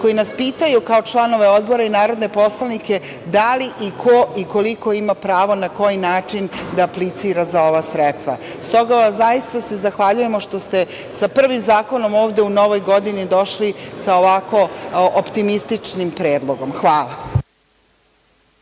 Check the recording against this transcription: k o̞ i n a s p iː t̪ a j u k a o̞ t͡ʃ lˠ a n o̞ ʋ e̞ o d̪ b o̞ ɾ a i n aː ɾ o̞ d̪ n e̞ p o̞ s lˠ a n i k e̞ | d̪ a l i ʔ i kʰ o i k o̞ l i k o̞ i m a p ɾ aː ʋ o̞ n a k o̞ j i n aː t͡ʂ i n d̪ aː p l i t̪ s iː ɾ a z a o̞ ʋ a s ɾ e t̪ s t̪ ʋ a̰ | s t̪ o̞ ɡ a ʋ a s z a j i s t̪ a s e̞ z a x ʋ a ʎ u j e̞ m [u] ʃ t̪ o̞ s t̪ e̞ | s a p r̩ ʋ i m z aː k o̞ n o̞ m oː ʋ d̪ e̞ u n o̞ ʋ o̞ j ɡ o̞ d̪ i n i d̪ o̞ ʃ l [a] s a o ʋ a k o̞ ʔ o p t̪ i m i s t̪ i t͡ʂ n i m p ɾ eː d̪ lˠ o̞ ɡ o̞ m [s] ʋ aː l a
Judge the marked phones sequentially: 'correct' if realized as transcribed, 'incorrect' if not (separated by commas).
incorrect, incorrect, incorrect